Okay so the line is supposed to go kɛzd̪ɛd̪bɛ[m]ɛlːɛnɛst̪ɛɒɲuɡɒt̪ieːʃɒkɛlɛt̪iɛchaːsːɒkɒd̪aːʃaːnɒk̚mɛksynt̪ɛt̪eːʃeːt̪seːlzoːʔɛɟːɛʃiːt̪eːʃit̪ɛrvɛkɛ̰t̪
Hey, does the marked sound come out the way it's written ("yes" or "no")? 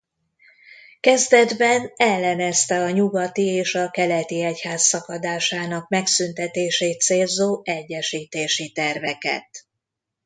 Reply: no